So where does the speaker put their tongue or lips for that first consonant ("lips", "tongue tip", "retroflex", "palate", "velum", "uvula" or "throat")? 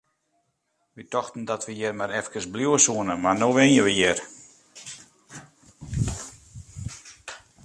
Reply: lips